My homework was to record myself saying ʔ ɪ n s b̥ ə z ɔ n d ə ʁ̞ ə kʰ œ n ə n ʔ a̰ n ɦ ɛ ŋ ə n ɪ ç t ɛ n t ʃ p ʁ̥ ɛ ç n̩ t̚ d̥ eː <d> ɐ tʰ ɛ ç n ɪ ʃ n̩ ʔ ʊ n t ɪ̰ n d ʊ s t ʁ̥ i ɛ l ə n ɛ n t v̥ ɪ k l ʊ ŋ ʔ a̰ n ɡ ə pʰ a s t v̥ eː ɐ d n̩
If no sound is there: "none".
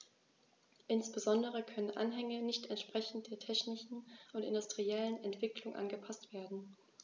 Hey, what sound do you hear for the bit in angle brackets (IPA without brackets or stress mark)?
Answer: none